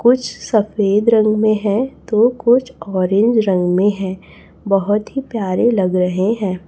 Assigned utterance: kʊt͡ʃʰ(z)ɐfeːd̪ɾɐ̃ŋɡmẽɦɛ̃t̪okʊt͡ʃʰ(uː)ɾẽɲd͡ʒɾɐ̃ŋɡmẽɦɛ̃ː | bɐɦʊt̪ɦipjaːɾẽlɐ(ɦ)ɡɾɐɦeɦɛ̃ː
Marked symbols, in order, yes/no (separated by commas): no, no, no